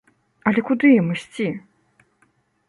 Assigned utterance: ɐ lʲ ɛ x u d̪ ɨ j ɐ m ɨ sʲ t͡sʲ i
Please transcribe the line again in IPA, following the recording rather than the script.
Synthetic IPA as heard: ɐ lʲ ɛ k u d̪ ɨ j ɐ m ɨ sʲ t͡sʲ i

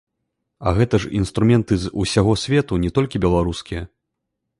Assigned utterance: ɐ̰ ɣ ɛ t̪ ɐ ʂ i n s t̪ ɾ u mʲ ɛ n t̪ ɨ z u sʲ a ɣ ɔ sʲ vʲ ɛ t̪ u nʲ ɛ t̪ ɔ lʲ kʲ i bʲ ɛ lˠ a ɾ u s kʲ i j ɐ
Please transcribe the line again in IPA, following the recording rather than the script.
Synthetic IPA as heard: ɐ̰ ɣ ɛ t̪ ɐ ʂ i n s t̪ ɾ u mʲ ɛ n t̪ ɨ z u sʲ a ɣ ɔ sʲ vʲ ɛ t̪ u nʲ ɛ t̪ ɔ lʲ kʲ i bʲ ɛ lˠ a ɾ u s kʲ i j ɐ

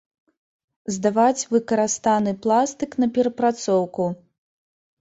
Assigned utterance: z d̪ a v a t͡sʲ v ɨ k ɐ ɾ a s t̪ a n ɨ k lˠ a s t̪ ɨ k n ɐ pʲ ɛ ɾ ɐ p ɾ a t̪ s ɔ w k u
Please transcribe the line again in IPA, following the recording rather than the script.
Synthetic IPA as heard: z d̪ a v a t͡sʲ v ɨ k ɐ ɾ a s t̪ a n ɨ p lˠ a s t̪ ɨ k n ɐ pʲ ɛ ɾ ɐ p ɾ a t̪ s ɔ w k u

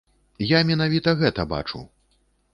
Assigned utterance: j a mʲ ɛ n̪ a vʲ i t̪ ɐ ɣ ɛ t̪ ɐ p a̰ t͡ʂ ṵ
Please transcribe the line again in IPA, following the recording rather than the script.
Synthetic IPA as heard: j a mʲ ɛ n̪ a vʲ i t̪ ɐ ɣ ɛ t̪ ɐ b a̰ t͡ʂ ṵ

